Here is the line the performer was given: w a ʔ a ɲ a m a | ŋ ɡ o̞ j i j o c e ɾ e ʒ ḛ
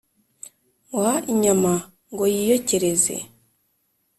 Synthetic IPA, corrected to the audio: w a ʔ i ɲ a m a | ŋ ɡ o̞ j i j o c e ɾ e z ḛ